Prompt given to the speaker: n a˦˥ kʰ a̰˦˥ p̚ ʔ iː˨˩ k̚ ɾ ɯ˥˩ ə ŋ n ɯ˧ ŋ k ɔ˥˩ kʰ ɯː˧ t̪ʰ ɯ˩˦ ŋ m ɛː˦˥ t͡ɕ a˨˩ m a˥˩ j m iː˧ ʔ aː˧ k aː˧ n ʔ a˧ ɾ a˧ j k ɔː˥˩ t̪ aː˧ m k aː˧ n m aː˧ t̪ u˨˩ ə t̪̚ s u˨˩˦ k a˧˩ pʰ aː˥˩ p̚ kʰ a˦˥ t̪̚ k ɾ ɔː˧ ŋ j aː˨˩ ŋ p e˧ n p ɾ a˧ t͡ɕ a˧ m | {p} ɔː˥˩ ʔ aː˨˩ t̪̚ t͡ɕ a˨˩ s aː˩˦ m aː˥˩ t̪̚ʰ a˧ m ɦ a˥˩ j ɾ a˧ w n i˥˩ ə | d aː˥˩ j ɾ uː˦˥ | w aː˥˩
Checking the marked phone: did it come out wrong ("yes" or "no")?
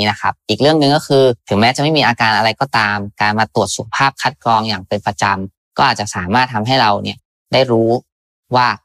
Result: yes